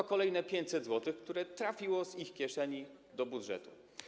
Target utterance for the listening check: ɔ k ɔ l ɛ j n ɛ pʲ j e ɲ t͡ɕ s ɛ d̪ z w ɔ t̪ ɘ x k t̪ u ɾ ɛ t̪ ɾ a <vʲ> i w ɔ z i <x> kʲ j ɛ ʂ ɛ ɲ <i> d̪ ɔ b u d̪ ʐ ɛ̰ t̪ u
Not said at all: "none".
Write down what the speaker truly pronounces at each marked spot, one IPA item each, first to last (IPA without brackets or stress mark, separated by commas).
fʲ, x, i